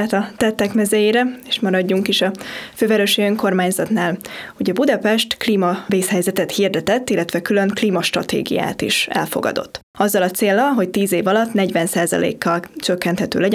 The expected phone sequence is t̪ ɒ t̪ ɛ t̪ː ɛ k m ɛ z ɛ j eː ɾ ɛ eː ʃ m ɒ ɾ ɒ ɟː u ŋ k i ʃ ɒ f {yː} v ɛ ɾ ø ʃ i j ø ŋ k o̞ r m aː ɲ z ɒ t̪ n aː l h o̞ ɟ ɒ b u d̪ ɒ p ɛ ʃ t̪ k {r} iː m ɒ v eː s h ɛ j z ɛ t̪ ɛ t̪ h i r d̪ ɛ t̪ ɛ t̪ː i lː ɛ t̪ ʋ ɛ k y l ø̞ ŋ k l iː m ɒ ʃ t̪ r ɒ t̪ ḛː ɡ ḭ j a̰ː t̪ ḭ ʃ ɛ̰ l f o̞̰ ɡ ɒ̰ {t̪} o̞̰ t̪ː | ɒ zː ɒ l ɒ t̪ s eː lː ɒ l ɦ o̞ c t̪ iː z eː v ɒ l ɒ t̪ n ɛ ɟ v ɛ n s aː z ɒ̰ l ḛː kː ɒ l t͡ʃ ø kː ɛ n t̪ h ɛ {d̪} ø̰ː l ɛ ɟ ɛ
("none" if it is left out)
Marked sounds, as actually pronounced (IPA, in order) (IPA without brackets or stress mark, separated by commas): øː, l, d̪, t̪